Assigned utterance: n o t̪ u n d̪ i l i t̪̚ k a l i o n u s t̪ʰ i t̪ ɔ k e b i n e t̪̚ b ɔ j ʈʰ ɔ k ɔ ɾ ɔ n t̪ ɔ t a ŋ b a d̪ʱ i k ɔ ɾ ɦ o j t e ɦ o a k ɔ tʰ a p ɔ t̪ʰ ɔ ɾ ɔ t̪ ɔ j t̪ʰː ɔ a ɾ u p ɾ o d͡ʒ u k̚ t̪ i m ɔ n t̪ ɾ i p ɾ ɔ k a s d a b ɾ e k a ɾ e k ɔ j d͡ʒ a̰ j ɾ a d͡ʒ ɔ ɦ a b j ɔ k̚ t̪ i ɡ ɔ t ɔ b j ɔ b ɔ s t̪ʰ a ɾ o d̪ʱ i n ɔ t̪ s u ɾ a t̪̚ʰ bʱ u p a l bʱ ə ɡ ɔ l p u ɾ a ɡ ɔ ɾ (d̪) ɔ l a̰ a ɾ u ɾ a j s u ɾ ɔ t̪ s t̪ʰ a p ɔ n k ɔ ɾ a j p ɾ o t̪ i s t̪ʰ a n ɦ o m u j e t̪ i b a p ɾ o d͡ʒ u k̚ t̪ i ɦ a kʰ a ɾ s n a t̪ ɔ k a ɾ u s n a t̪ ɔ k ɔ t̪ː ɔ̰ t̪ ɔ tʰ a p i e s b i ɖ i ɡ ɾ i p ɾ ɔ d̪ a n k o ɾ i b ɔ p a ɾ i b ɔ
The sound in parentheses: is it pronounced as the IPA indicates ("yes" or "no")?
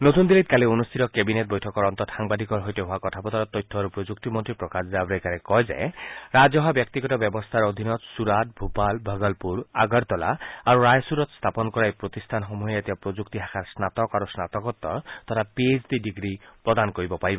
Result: no